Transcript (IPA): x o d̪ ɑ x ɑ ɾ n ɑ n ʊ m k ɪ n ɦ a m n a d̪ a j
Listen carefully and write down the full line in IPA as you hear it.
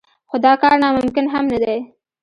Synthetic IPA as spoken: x o d̪ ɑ k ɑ ɾ n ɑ m ʊ m k ɪ n ɦ a m n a d̪ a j